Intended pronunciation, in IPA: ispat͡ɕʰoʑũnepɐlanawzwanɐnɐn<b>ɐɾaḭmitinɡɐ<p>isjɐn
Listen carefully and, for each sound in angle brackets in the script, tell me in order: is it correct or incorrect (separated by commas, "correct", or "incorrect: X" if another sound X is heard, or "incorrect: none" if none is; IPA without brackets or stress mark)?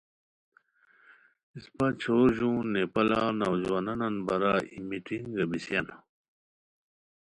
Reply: correct, incorrect: b